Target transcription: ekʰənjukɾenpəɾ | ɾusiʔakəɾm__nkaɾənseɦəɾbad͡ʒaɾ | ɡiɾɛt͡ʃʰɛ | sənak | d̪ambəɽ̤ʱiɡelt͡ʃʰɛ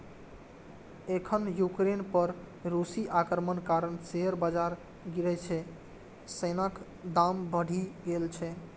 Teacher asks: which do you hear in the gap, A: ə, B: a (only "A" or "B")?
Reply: A